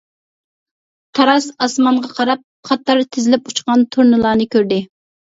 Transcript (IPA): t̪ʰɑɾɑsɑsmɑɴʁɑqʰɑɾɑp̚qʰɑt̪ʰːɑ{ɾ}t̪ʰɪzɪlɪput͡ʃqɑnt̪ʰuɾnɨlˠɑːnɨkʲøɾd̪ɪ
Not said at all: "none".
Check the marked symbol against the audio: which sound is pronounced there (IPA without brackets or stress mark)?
ɾ